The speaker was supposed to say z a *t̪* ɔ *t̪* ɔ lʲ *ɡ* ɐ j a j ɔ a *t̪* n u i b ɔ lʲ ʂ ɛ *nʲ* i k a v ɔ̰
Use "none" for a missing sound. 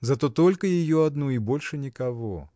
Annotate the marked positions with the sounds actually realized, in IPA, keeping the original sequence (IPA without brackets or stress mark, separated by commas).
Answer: t̪, t̪, k, d̪, nʲ